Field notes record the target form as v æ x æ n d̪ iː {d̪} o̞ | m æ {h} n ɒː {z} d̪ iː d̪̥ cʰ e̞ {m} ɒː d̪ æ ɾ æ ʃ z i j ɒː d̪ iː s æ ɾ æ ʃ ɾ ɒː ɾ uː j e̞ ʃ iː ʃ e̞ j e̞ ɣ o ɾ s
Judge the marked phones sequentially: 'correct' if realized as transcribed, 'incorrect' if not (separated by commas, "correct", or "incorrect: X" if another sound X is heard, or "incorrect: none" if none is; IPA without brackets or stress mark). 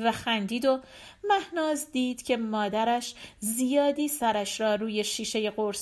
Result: correct, correct, correct, correct